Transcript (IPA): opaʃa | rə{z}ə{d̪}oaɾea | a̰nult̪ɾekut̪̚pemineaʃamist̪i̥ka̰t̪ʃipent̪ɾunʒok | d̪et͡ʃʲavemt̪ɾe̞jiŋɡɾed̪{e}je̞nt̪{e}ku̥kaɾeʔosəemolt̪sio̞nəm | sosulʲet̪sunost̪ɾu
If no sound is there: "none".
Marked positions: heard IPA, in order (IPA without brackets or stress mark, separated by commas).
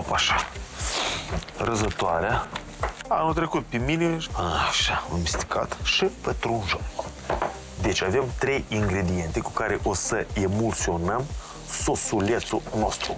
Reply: z, t̪, i, e